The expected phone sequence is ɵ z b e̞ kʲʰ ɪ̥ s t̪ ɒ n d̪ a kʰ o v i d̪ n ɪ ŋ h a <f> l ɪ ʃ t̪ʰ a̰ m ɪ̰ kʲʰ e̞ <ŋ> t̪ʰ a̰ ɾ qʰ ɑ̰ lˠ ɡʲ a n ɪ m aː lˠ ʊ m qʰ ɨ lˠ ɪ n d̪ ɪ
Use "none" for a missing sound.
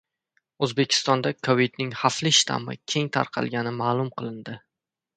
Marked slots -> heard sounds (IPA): f, ŋ

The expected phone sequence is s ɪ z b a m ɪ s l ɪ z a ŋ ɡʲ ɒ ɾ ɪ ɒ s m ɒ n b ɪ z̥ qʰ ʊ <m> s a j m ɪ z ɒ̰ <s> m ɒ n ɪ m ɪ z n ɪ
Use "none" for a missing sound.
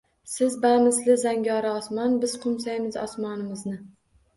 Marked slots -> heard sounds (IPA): m, s

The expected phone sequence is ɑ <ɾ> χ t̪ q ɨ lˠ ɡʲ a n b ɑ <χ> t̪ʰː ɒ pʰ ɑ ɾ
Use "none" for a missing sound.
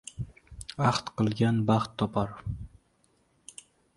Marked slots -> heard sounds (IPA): none, χ

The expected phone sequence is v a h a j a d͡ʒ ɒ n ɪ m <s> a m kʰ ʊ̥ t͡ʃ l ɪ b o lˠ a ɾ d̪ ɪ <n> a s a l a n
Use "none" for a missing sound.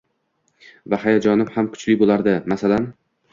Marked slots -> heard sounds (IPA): h, m

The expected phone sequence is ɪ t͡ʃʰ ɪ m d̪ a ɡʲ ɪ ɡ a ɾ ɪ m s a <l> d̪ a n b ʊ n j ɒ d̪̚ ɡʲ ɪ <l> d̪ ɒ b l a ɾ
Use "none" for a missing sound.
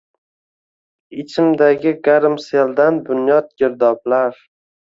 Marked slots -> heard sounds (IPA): l, ɾ

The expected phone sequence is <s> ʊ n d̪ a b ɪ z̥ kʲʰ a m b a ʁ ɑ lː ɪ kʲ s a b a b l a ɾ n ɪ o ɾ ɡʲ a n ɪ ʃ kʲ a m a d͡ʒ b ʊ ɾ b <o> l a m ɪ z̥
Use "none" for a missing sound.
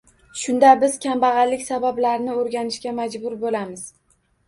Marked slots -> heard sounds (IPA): ʃ, o

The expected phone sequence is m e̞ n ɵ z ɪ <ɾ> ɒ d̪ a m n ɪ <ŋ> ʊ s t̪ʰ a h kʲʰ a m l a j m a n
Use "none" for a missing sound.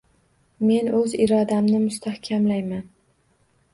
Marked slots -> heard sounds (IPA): ɾ, m

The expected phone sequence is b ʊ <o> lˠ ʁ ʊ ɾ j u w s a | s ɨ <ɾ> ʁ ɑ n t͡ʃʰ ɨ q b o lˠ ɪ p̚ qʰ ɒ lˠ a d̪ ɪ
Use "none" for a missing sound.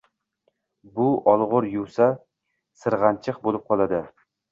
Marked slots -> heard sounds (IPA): ɒ, ɾ

